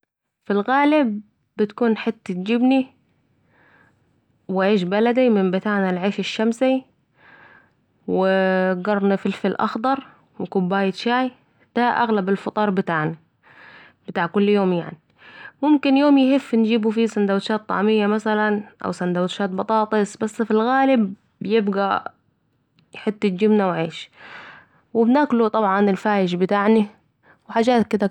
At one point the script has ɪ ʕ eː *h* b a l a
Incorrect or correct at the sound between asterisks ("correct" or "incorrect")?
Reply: incorrect